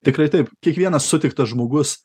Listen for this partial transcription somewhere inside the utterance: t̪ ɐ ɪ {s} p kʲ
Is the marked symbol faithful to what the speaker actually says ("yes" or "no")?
no